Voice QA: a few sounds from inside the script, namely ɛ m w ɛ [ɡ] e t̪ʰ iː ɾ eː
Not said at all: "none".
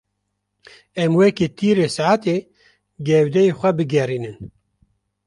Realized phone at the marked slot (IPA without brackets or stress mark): k